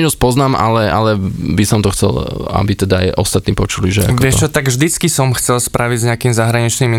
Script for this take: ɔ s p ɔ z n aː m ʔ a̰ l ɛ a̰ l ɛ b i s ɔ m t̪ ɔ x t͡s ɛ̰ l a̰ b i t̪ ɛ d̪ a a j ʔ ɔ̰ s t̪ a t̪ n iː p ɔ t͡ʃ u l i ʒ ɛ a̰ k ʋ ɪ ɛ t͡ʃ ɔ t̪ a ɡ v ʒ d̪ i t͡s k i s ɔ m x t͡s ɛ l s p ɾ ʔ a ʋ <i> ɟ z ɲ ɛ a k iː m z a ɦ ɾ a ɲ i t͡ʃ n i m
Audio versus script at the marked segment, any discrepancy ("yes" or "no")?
no